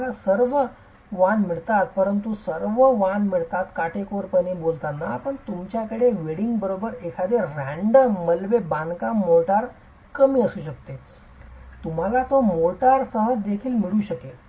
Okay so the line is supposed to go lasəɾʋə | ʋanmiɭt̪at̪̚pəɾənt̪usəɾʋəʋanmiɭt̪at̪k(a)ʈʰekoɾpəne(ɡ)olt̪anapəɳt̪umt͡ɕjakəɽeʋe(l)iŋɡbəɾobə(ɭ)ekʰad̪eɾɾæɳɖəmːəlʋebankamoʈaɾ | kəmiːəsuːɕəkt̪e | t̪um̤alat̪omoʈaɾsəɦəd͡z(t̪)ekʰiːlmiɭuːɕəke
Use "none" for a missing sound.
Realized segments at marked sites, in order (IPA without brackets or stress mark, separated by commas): a, b, ɽ, ɾ, d̪